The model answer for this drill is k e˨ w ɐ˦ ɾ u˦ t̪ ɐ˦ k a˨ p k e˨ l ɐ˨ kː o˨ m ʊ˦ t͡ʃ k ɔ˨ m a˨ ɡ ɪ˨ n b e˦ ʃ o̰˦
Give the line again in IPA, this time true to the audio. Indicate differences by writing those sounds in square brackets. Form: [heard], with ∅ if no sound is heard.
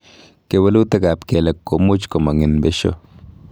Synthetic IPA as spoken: k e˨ w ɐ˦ [l] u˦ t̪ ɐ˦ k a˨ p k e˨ l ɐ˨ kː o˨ m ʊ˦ t͡ʃ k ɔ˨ m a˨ [ŋ] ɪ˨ n b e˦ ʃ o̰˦

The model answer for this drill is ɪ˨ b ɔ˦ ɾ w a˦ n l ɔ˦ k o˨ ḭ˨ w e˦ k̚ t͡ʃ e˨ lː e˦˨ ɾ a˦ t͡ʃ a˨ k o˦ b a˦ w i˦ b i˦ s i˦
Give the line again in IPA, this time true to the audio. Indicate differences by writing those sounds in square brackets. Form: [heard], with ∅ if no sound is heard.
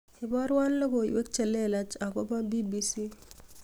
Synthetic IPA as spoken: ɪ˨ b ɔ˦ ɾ w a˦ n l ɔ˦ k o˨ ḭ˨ w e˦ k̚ t͡ʃ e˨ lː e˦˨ [l] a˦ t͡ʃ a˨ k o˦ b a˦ [b] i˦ b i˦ s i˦

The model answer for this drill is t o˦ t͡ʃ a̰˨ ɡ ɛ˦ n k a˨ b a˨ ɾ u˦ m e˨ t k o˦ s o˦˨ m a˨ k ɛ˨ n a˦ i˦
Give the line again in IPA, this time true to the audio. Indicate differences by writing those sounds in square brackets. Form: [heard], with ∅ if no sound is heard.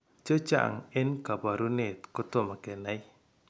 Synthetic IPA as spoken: [t͡ʃ] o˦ t͡ʃ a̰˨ [ŋ] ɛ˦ n k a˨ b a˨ ɾ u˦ [n] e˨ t k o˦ [t] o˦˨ m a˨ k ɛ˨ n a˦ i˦

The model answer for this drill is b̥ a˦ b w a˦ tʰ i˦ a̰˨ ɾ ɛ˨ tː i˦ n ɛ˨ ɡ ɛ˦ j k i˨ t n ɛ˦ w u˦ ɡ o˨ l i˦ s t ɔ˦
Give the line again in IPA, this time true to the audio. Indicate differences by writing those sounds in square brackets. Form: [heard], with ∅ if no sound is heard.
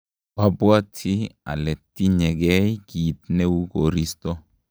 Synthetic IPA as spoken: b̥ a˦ b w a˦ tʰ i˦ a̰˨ [l] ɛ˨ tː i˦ [ɲ] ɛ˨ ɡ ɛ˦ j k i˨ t n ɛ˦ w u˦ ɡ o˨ [ɾ] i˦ s t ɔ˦

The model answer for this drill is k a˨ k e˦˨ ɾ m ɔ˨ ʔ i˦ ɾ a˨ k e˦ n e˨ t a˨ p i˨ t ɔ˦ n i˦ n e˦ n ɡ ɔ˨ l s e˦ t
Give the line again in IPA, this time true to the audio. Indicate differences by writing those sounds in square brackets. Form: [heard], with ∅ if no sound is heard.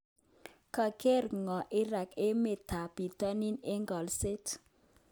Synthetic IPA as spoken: k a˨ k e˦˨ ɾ [ŋ] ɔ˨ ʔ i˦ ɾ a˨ k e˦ [m] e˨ t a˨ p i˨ t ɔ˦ n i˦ n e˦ [ŋ] ɡ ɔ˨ l s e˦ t

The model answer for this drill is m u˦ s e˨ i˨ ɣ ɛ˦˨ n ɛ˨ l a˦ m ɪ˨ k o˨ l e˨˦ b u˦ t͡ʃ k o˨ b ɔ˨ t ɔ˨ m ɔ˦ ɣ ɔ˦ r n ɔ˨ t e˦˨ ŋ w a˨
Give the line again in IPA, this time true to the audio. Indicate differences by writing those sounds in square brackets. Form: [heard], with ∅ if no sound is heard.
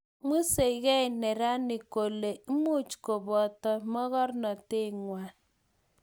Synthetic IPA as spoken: m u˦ s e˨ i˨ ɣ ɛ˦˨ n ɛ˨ [ɾ] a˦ [n] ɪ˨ k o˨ l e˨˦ [m] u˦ t͡ʃ k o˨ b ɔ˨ t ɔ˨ m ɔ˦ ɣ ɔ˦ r n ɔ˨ t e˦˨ ŋ w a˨

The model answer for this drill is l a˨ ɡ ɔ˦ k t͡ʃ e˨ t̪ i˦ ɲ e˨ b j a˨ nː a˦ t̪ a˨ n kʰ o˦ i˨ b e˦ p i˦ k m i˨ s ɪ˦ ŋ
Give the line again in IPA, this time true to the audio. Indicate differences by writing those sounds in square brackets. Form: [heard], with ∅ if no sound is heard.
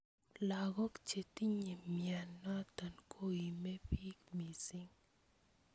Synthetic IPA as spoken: l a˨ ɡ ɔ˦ k t͡ʃ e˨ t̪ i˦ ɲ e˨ [m] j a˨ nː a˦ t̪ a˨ n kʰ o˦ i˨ [m] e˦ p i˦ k m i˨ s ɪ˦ ŋ

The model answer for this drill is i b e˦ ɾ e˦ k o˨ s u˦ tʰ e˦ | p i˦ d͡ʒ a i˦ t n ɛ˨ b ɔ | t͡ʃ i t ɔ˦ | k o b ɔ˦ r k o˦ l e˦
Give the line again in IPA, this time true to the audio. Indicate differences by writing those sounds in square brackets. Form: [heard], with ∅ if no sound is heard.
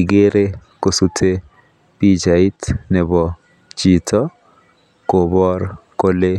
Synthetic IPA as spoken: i [ɡ] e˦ ɾ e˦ k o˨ s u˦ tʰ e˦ | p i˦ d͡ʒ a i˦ t n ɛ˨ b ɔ | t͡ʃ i t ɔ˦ | k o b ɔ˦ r k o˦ l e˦

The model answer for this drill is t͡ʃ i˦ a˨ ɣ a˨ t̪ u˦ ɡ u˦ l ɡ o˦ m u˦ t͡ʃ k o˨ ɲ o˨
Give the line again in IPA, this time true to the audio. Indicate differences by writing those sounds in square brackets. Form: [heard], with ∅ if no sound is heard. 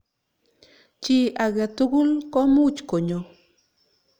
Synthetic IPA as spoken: t͡ʃ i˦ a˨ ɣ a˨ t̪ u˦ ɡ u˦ l [k] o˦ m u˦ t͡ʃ k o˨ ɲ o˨

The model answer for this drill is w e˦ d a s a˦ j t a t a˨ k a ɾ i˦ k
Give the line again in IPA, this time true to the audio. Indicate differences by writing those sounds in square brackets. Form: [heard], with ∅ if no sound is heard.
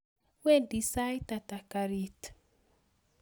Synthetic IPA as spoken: w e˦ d [i] s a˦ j t a t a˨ k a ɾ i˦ [t]

